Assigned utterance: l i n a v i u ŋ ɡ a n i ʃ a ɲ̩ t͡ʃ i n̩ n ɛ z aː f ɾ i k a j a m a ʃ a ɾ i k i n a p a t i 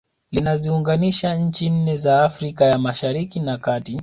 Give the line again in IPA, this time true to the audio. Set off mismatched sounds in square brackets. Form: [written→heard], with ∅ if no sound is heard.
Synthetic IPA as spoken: l i n a [v→z] i u ŋ ɡ a n i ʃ a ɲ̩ t͡ʃ i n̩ n ɛ z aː f ɾ i k a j a m a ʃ a ɾ i k i n a [p→k] a t i